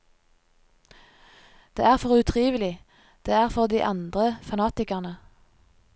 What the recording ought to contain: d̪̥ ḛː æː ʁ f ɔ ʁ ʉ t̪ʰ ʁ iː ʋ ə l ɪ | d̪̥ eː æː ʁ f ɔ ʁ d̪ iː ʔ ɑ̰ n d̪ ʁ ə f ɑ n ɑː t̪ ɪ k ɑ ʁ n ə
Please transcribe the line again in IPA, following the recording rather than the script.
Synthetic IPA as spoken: d̪̥ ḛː æː ʁ f ɔ ʁ ʉ t̪ʰ ʁ iː ʋ ə l ɪ | d̪̥ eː æː ʁ f ɔ ʁ d̪ iː ʔ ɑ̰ n d̪ ʁ ə f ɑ n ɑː t̪ ɪ k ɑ ʁ n ə